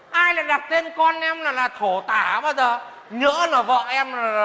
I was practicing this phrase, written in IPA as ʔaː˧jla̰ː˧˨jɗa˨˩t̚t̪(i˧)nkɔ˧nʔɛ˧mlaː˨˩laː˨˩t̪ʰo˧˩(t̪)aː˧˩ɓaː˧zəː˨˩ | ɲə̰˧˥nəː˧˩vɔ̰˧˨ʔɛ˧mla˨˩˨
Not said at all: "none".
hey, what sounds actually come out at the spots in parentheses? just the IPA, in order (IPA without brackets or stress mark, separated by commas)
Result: e˧, t̪